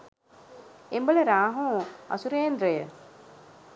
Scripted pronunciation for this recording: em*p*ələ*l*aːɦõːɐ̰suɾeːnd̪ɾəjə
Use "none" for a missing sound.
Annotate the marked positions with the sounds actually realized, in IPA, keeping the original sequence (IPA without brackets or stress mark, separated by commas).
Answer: b, ɾ